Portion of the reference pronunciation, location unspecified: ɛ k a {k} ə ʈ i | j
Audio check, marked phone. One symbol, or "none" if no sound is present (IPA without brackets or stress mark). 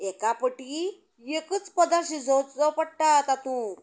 p